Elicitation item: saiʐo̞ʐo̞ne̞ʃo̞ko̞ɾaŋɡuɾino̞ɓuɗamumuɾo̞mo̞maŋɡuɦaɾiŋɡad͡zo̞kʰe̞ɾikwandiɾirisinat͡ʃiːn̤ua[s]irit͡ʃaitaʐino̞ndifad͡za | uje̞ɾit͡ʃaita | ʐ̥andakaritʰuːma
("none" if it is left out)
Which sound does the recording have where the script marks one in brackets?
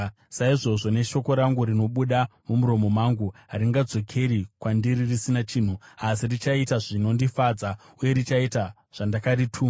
s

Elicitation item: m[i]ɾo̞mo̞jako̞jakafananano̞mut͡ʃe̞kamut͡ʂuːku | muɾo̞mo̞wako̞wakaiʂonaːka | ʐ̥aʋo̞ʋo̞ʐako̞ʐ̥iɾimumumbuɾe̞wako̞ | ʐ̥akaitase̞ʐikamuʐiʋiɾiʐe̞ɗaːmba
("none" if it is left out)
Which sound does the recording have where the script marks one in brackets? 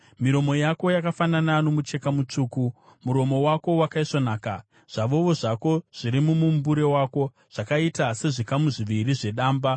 i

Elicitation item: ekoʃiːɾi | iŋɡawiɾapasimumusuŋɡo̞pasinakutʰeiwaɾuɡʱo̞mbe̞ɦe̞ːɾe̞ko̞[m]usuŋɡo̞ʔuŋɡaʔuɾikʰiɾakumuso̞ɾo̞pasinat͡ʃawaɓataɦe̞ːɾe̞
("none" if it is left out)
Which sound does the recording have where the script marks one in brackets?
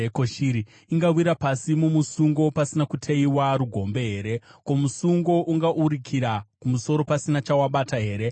m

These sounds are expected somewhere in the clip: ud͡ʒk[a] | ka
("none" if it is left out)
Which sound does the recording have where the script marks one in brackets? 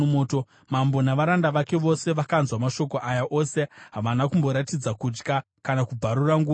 a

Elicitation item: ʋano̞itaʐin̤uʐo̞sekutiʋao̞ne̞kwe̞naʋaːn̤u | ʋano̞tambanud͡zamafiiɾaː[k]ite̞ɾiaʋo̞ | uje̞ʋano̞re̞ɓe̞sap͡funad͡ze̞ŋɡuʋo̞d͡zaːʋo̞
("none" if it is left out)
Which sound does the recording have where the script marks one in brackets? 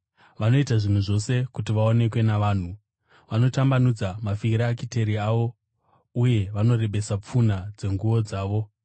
k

